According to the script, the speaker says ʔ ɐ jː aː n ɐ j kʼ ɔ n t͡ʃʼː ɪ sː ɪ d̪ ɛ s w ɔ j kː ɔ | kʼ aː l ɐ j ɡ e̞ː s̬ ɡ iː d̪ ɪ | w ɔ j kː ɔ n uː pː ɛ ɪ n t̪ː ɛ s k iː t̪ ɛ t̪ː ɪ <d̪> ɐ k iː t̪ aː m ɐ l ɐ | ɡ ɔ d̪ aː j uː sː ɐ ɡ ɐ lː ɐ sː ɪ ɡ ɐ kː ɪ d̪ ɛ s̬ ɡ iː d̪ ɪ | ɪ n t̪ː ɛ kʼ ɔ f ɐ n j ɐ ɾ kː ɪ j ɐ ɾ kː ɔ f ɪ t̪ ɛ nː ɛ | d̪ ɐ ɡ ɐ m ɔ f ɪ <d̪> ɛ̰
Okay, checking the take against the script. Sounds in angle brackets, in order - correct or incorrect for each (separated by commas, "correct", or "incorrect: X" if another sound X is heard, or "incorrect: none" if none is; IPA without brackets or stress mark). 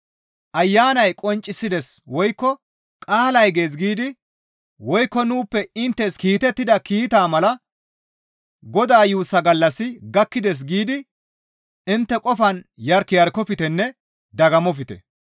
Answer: correct, incorrect: t̪